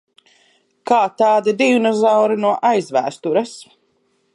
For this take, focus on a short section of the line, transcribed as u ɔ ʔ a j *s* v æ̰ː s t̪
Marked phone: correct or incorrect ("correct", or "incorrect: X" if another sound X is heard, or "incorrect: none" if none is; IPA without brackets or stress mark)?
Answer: incorrect: z